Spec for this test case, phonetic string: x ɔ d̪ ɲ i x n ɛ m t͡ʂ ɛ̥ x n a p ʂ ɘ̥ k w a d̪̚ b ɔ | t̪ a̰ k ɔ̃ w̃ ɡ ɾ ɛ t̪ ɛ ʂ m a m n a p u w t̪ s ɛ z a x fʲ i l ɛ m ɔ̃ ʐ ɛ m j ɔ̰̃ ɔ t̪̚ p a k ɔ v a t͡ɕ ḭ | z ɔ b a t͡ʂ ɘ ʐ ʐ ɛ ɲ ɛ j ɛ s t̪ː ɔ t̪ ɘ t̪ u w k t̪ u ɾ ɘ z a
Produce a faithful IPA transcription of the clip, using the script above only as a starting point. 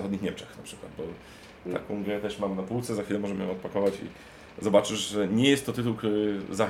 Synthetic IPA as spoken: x ɔ d̪ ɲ i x ɲ ɛ m t͡ʂ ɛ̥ x n a p ʂ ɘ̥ k w a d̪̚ b ɔ | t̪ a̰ k ɔ̃ w̃ ɡ ɾ ɛ t̪ ɛ ʂ m a m n a p u w t̪ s ɛ z a x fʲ i l ɛ m ɔ ʐ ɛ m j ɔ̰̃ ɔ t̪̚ p a k ɔ v a t͡ɕ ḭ | z ɔ b a t͡ʂ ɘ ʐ ʐ ɛ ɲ ɛ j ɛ s t̪ː ɔ t̪ ɘ t̪ u w k t̪ u ɾ ɘ z a